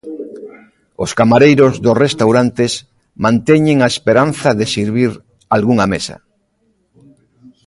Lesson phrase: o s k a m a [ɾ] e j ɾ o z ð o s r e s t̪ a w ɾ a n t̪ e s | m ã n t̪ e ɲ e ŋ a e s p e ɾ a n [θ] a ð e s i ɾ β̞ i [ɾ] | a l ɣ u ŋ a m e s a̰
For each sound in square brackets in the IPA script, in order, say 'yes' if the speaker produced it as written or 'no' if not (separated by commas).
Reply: yes, yes, yes